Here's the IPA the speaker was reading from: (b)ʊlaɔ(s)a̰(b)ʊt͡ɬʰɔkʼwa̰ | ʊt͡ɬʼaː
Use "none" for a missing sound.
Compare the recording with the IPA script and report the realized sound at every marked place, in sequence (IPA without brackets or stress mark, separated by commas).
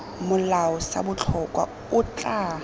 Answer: m, s, b